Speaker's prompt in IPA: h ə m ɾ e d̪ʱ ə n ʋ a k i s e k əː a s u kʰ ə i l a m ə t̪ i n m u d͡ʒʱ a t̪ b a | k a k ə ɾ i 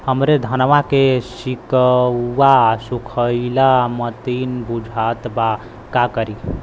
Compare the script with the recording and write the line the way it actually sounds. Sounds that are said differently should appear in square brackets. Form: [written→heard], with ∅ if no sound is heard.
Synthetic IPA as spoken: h ə m ɾ e d̪ʱ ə n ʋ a k [i→e] s [e→i] k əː a s u kʰ ə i l a m ə t̪ i n [m→b] u d͡ʒʱ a t̪ b a | k a k ə ɾ i